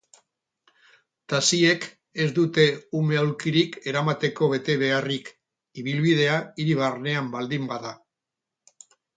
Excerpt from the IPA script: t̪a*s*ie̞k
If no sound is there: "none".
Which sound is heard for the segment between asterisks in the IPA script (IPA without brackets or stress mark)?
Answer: s